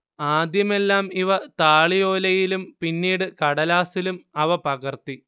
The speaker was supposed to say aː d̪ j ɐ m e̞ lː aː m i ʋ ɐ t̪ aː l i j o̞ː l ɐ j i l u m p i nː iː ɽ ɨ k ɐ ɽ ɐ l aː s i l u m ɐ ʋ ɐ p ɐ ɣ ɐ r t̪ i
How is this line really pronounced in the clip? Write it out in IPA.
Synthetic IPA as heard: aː d̪ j ɐ m e̞ lː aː m i ʋ ɐ t̪ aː ɭ i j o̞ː l ɐ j i l u m p i nː iː ɽ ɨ k ɐ ɽ ɐ l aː s i l u m ɐ ʋ ɐ p ɐ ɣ ɐ r t̪ i